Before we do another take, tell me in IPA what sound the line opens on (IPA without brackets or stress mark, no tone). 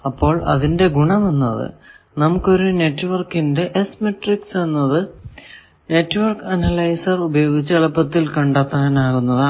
ɐ